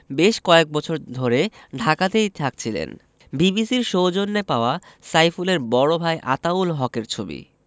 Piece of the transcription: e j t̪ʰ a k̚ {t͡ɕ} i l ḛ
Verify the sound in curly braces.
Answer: incorrect: t͡ɕʰ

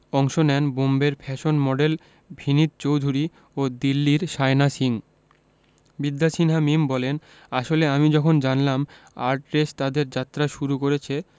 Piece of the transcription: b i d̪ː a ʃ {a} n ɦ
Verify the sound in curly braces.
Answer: incorrect: i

